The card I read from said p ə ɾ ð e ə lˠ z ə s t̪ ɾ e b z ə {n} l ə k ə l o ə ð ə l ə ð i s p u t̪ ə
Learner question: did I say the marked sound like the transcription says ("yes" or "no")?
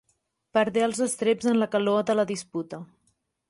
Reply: yes